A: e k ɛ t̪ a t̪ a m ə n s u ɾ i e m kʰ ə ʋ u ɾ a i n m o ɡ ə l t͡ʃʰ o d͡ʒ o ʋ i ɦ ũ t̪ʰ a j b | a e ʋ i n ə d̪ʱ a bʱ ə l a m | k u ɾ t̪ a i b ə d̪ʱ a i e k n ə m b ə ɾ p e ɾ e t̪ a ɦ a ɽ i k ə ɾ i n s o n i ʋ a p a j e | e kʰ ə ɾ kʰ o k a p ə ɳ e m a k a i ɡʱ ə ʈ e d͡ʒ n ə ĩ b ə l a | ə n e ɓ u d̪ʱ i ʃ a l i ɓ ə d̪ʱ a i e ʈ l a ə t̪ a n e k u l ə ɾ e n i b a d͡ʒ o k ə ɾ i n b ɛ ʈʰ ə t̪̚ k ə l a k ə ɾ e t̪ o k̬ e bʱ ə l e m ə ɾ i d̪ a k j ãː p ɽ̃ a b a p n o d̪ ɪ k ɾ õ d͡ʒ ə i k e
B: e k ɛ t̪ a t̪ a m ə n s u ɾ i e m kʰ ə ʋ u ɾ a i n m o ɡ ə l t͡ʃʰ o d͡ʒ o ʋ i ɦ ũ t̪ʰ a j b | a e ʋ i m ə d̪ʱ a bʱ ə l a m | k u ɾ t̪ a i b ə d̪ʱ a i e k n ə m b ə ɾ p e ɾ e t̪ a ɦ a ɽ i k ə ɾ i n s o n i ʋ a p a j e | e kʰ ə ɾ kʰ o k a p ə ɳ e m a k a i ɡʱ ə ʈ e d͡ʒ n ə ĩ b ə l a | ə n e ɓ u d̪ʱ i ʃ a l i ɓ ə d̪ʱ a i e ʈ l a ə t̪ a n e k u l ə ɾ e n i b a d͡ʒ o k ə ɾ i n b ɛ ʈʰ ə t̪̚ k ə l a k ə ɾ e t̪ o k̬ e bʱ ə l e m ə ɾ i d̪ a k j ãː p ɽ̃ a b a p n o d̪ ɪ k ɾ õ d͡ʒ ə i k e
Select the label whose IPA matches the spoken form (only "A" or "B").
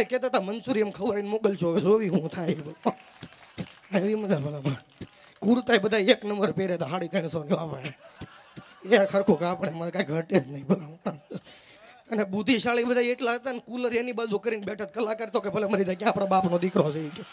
B